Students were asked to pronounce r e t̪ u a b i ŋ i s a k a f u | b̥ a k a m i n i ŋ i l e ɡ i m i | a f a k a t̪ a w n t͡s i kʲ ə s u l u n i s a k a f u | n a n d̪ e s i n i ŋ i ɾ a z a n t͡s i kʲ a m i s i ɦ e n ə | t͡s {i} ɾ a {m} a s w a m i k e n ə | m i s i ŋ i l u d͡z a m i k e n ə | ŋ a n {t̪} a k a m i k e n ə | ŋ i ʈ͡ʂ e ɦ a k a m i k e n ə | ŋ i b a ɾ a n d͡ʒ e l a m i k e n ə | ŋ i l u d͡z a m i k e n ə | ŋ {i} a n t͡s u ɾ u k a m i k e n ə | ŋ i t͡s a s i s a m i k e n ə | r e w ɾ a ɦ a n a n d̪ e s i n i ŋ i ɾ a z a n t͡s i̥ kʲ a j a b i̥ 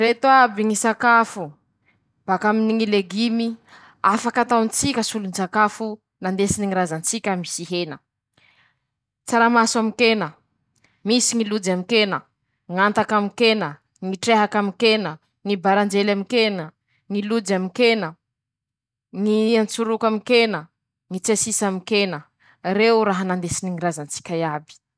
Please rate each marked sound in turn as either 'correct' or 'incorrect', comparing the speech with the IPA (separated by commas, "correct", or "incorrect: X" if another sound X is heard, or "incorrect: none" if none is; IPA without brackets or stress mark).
incorrect: a, correct, correct, correct